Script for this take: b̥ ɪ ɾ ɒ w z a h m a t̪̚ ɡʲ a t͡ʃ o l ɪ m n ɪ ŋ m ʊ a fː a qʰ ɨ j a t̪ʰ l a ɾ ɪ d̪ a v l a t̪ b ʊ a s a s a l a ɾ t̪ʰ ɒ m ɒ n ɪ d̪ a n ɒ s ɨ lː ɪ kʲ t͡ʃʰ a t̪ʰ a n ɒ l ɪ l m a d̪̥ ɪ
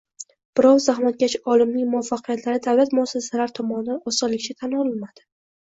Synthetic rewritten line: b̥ ɪ ɾ ɒ w z a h m a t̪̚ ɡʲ a t͡ʃ ɒ l ɪ m n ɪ ŋ m ʊ a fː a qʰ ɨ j a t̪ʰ l a ɾ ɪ d̪ a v l a t̪ m ʊ a s a s a l a ɾ t̪ʰ ɒ m ɒ n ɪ d̪ a n ɒ s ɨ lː ɪ kʲ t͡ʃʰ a t̪ʰ a n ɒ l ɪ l m a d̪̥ ɪ